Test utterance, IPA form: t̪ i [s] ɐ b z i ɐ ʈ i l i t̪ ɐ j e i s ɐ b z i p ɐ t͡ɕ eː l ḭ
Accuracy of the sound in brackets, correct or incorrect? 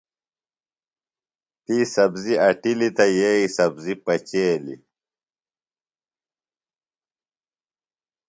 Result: correct